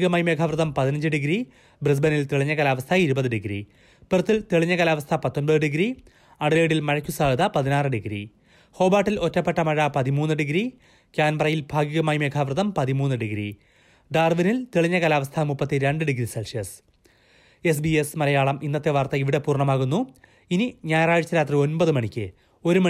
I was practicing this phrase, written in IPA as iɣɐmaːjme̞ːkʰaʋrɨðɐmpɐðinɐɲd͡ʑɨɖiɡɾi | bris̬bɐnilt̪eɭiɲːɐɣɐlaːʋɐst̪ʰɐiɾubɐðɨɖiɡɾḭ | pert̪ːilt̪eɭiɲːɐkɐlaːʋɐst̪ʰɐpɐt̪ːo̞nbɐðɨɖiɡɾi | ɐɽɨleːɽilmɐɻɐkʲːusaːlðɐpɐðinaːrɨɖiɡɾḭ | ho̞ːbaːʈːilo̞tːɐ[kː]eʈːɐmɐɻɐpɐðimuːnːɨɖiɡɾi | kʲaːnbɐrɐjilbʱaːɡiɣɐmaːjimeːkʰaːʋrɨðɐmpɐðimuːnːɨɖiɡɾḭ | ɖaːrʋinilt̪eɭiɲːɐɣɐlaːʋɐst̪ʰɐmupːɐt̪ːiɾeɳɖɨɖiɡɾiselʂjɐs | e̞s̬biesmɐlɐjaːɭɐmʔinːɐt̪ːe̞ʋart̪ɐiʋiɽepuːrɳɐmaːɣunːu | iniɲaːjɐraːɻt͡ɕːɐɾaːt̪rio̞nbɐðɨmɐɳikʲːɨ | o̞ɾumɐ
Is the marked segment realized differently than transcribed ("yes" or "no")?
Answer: yes